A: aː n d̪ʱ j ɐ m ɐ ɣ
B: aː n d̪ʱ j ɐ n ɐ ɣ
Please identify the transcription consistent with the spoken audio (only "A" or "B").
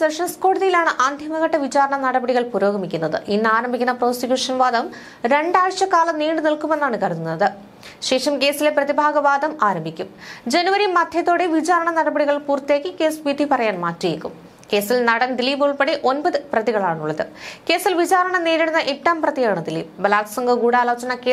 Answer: A